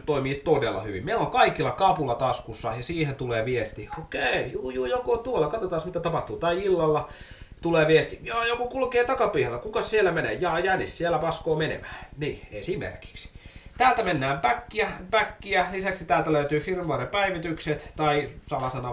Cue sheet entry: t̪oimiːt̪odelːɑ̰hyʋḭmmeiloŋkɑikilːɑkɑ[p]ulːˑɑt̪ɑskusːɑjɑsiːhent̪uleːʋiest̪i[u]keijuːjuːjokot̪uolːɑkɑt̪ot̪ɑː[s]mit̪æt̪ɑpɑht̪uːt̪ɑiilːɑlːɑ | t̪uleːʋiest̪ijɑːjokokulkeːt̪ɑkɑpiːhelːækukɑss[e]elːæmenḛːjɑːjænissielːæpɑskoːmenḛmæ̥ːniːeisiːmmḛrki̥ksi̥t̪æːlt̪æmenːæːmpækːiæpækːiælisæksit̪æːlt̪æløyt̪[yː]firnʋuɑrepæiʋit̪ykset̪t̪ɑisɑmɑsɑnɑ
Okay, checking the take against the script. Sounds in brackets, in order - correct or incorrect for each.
correct, incorrect, correct, incorrect, correct

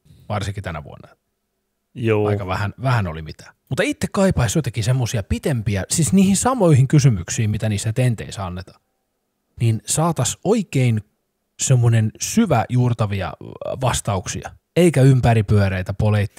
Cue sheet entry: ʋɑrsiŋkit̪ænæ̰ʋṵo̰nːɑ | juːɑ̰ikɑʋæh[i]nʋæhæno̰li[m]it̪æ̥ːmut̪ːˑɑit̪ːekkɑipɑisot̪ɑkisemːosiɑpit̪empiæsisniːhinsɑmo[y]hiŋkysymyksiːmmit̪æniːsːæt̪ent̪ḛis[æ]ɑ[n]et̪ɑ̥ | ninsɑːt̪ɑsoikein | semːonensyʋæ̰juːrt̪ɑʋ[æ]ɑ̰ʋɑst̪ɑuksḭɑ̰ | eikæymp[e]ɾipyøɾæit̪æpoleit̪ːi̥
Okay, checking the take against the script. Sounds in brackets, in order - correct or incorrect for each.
incorrect, correct, incorrect, correct, incorrect, incorrect, incorrect

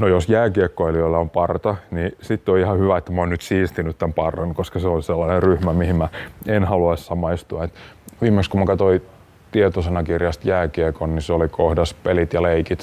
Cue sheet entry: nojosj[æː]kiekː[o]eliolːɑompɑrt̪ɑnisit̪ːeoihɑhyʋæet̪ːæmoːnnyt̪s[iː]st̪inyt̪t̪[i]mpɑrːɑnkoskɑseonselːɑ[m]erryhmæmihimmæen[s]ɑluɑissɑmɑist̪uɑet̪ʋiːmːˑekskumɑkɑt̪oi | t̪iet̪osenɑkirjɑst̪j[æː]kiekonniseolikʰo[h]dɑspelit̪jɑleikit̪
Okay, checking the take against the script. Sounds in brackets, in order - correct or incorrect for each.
correct, correct, correct, incorrect, incorrect, incorrect, correct, correct

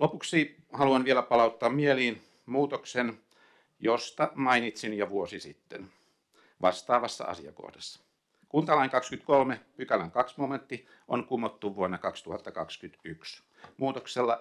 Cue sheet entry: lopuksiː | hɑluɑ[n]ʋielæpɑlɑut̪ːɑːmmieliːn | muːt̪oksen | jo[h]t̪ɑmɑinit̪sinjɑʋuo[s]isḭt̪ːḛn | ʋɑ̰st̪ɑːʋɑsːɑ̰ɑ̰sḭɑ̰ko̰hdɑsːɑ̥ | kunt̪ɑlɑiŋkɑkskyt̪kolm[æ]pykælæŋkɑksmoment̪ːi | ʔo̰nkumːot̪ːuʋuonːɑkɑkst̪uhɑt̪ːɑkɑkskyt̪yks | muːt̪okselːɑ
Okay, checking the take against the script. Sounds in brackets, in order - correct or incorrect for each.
correct, incorrect, correct, incorrect

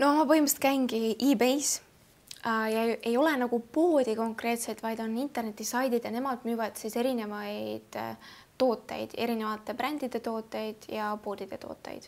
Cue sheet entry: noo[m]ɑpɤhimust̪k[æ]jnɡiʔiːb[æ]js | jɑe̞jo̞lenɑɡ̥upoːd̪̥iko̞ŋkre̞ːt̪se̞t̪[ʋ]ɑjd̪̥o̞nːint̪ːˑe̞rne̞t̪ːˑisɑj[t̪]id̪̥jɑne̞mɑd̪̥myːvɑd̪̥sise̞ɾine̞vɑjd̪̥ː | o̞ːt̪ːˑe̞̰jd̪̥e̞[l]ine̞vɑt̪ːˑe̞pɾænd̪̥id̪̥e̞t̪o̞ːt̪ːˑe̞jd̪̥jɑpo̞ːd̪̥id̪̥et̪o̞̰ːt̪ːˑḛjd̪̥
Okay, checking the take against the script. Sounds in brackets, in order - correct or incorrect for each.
correct, correct, incorrect, incorrect, incorrect, incorrect

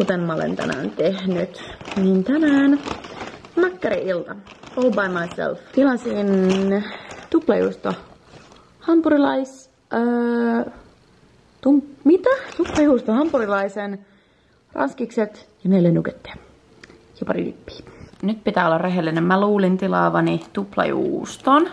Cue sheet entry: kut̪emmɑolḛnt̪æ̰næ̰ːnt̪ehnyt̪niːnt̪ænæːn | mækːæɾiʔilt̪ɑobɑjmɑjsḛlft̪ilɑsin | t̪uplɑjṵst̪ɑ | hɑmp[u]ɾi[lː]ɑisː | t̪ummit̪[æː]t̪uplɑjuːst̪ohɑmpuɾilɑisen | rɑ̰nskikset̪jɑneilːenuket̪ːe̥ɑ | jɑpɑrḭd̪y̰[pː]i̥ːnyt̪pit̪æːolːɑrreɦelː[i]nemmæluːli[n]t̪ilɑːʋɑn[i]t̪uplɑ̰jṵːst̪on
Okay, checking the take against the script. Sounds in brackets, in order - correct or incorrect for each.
correct, incorrect, incorrect, correct, correct, correct, correct

